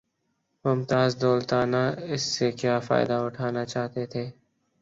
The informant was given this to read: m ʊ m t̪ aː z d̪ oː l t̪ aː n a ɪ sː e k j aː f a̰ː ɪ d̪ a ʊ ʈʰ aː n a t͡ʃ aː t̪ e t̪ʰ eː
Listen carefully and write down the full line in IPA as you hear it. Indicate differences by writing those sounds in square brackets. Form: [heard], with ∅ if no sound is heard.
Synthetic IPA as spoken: m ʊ m t̪ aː z d̪ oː l t̪ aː n a ɪ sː e k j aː f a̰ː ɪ d̪ a ʊ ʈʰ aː n a t͡ʃ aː t̪ e t̪ʰ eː